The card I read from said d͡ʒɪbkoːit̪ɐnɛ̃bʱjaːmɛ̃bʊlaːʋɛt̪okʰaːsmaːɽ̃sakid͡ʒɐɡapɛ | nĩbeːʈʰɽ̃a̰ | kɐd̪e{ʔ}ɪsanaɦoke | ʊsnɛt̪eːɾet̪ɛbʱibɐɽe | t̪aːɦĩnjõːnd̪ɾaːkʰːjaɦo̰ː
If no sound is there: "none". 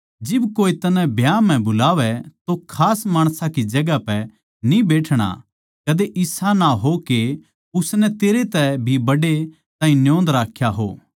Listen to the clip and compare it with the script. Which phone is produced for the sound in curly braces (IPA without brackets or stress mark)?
ʔ